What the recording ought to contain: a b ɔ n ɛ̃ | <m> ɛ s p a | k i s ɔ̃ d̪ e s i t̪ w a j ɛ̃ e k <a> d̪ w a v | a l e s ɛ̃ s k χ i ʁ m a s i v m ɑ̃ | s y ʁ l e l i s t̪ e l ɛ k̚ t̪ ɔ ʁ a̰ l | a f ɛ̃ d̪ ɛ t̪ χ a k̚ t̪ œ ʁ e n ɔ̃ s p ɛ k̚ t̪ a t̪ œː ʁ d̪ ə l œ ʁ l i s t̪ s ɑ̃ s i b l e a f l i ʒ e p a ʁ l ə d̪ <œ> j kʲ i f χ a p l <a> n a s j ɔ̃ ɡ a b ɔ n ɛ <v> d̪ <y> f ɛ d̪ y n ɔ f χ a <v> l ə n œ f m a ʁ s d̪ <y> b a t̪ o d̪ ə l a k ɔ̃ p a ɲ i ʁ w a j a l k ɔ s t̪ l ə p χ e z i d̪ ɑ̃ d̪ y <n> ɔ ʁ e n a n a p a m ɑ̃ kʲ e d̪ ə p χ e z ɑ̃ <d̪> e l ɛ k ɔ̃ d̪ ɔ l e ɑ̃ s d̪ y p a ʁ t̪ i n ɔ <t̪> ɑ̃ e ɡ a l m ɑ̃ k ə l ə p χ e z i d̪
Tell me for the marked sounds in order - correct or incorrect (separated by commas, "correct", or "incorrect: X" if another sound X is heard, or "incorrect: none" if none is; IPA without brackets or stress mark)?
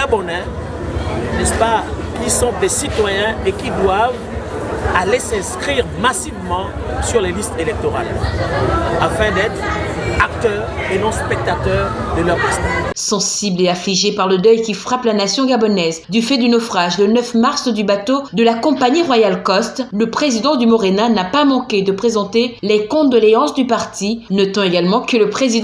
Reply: incorrect: n, incorrect: i, correct, correct, incorrect: z, correct, incorrect: ʒ, correct, incorrect: m, incorrect: t̪, correct